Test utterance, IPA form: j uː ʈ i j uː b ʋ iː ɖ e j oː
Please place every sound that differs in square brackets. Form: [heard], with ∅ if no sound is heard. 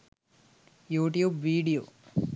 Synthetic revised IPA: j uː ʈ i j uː b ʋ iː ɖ [i] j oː